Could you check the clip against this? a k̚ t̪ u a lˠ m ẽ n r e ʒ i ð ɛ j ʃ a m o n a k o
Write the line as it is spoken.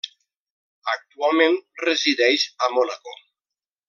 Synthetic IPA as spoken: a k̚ t̪ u a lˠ m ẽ n r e z i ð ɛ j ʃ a m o n a k o